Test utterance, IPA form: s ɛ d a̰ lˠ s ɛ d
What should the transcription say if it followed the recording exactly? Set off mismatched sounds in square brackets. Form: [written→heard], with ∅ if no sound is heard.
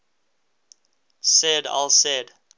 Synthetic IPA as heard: s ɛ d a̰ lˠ s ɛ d